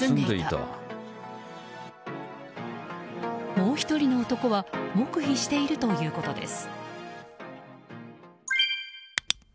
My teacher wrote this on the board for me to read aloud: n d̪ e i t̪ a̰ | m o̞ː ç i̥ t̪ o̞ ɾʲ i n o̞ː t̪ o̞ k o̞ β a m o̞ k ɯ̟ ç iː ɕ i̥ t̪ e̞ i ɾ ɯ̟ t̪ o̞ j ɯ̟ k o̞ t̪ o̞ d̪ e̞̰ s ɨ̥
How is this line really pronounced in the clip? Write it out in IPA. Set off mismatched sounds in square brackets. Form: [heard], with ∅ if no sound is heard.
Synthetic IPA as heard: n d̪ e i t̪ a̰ | m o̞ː ç i̥ t̪ o̞ ɾʲ i n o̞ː t̪ o̞ k o̞ β a m o̞ k ɯ̟ ç [i] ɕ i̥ t̪ e̞ i ɾ ɯ̟ t̪ o̞ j [ɯ̟ː] k o̞ t̪ o̞ d̪ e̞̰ s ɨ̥

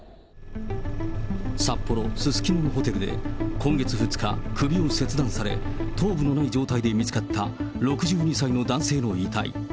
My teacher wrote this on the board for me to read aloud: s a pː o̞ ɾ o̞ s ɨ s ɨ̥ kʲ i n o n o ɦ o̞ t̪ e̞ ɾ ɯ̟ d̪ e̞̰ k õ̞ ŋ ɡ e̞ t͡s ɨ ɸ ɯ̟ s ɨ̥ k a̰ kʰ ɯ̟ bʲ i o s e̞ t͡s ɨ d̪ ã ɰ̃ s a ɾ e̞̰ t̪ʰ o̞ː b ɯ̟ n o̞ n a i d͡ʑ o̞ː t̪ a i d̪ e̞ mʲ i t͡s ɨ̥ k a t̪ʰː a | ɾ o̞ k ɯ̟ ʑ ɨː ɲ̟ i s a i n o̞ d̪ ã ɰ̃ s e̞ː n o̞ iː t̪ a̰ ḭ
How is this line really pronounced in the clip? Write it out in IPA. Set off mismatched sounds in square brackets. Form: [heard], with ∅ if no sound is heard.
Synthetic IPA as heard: s a pː o̞ ɾ o̞ s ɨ s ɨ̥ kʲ i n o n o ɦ o̞ t̪ e̞ ɾ ɯ̟ d̪ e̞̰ k õ̞ ŋ ɡ e̞ t͡s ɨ ɸ ɯ̟ [t͡s] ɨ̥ k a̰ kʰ ɯ̟ bʲ i o s e̞ t͡s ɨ d̪ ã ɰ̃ s a ɾ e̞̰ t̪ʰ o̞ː b ɯ̟ n o̞ n a i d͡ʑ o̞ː t̪ a i d̪ e̞ mʲ i t͡s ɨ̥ k a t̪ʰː a | ɾ o̞ k ɯ̟ ʑ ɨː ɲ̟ i s a i n o̞ d̪ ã ɰ̃ s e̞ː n o̞ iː t̪ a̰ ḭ

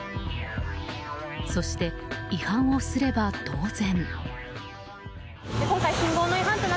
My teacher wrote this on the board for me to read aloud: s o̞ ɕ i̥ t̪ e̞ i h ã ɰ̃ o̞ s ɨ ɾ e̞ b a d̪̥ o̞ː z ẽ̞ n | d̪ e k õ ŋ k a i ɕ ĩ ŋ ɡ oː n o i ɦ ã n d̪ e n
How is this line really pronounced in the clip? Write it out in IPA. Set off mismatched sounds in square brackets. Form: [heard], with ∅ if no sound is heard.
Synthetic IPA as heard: s o̞ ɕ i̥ t̪ e̞ i h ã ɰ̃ o̞ s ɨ ɾ e̞ b a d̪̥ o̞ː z ẽ̞ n | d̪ e k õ ŋ k a i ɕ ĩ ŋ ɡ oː n o i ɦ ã n [t̪] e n

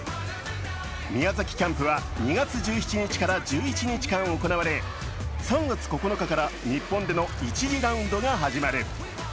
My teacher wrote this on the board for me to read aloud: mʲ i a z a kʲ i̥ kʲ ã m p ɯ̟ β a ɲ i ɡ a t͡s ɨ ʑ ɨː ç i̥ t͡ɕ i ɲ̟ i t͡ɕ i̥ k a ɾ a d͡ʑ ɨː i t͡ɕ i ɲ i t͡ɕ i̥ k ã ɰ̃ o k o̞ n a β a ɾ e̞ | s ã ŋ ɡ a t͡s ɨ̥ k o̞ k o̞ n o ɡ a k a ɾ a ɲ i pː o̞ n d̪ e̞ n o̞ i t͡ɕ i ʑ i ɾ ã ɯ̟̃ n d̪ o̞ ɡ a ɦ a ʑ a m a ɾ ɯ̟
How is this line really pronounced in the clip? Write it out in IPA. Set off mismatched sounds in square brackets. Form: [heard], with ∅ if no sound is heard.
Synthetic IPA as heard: mʲ i a z a kʲ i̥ kʲ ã m p ɯ̟ β a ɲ i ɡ a t͡s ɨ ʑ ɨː ç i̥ t͡ɕ i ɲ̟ i t͡ɕ i̥ k a ɾ a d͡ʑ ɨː i t͡ɕ i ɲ i t͡ɕ i̥ k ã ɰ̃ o k o̞ n a β a ɾ e̞ | s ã ŋ ɡ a t͡s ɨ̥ k o̞ k o̞ n o [k] a k a ɾ a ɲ i pː [õ̞] n d̪ e̞ n o̞ i t͡ɕ i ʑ i ɾ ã ɯ̟̃ n d̪ o̞ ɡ a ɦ a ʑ [i] m a ɾ ɯ̟

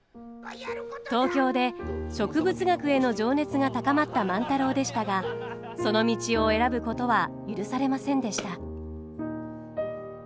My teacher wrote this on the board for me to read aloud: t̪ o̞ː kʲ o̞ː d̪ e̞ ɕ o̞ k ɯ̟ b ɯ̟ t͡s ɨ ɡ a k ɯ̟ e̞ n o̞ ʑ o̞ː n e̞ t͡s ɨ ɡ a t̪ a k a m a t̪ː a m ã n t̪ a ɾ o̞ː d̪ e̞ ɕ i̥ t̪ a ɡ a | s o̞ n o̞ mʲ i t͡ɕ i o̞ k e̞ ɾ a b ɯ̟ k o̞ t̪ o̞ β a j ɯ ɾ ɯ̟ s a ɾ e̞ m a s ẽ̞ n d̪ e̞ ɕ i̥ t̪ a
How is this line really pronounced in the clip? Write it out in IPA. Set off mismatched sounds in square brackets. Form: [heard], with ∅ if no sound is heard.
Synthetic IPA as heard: t̪ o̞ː kʲ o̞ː d̪ e̞ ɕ o̞ k ɯ̟ b ɯ̟ t͡s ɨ ɡ a k ɯ̟ e̞ n o̞ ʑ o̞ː n e̞ t͡s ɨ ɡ a t̪ a k a m a t̪ː a m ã n t̪ a ɾ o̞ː d̪ e̞ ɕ i̥ t̪ a ɡ a | s o̞ n o̞ mʲ i t͡ɕ i o̞ [∅] e̞ ɾ a b ɯ̟ k o̞ t̪ o̞ β a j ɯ ɾ ɯ̟ s a ɾ e̞ m a s ẽ̞ n d̪ e̞ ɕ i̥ t̪ a

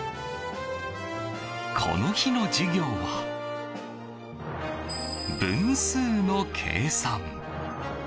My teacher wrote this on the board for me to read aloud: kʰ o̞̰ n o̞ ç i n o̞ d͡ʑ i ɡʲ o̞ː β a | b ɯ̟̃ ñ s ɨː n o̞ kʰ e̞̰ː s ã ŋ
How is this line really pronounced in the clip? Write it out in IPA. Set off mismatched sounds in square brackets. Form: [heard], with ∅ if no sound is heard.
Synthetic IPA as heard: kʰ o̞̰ n o̞ ç i n o̞ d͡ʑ i ɡʲ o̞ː β a | b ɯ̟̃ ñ s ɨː n o̞ kʰ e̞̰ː s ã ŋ

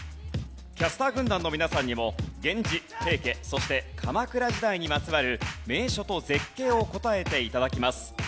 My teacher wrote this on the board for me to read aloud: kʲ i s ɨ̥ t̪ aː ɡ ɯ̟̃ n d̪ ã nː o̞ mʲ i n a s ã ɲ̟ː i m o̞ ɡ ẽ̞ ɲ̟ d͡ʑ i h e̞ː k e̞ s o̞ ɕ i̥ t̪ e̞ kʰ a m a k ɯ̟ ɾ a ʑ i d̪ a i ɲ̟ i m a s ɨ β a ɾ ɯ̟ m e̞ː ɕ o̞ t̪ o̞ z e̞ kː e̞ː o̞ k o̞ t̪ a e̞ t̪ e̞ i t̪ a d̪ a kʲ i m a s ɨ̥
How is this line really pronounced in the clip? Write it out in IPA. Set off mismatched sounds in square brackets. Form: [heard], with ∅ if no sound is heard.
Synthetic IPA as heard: kʲ [a] s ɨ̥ t̪ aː ɡ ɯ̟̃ n d̪ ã nː o̞ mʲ i n a s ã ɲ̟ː i m o̞ ɡ ẽ̞ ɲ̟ d͡ʑ i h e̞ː k e̞ s o̞ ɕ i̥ t̪ e̞ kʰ a m a k ɯ̟ ɾ a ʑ i d̪ a i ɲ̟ i m a [t͡s] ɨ β a ɾ ɯ̟ m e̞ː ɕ o̞ t̪ o̞ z e̞ kː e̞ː o̞ k o̞ t̪ a e̞ t̪ e̞ i t̪ a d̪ a kʲ i m a s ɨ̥

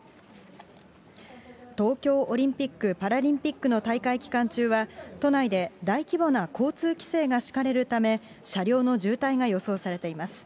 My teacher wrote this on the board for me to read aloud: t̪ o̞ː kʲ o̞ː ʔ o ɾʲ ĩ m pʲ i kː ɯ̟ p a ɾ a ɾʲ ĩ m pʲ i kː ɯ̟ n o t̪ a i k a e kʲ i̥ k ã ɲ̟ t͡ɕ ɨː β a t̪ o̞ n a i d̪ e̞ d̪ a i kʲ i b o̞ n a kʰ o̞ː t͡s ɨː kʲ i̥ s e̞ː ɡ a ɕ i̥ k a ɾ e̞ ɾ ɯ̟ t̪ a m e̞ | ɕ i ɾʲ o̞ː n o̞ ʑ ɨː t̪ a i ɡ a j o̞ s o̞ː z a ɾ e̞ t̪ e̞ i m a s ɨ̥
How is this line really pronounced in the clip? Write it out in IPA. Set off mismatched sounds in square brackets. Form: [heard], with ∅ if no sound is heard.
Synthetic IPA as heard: t̪ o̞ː kʲ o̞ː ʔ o ɾʲ ĩ m pʲ i kː ɯ̟ p a ɾ a ɾʲ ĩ m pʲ i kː ɯ̟ n o t̪ a i k a [i] kʲ i̥ k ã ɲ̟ t͡ɕ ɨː β a t̪ o̞ n a i d̪ e̞ d̪ a i kʲ i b o̞ n a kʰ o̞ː t͡s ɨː kʲ i̥ s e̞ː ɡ a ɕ i̥ k a ɾ e̞ ɾ ɯ̟ t̪ a m e̞ | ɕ [a] ɾʲ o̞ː n o̞ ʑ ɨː t̪ a i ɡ a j o̞ s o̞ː [s] a ɾ e̞ t̪ e̞ i m a s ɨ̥

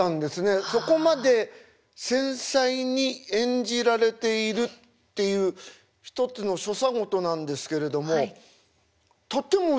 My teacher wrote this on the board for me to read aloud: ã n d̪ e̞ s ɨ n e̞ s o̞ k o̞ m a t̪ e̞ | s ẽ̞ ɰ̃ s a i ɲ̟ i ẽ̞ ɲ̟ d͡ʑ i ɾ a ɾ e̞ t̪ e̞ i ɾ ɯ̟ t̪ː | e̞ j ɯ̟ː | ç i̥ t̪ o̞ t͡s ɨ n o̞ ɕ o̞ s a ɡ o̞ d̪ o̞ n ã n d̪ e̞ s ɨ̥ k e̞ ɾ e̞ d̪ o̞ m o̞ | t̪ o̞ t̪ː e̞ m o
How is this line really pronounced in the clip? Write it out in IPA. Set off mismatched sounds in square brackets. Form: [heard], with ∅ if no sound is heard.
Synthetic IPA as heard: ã n d̪ e̞ s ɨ n e̞ s o̞ k o̞ m a [d̪] e̞ | s ẽ̞ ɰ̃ s a i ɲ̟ i ẽ̞ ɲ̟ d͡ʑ i ɾ a ɾ e̞ t̪ e̞ i ɾ ɯ̟ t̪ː | e̞ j ɯ̟ː | ç i̥ t̪ o̞ t͡s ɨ n o̞ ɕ o̞ s a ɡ o̞ [t̪] o̞ n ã n d̪ e̞ s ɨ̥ k e̞ ɾ e̞ d̪ o̞ m o̞ | t̪ o̞ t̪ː e̞ m o

